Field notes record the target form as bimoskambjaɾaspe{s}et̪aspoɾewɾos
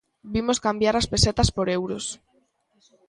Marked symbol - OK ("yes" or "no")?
yes